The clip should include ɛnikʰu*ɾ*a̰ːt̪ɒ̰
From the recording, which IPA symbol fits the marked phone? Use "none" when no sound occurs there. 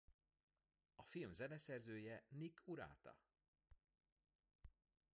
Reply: ɾ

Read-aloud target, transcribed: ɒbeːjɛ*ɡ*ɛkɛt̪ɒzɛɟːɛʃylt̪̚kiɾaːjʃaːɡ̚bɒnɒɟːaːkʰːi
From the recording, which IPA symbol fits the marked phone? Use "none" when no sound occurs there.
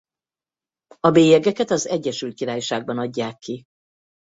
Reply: ɡ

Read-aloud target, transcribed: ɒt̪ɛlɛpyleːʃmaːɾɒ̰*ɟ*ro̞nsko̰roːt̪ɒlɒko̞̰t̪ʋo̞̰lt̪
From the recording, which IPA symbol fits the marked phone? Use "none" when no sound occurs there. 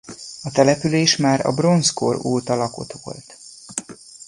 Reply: b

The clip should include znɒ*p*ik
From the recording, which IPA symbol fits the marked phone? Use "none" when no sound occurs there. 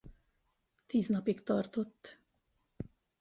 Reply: p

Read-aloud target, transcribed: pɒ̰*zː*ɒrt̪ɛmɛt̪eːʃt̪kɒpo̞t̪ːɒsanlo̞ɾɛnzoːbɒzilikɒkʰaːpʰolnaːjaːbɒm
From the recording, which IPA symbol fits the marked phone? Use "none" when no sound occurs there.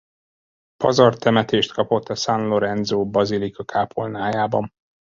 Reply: z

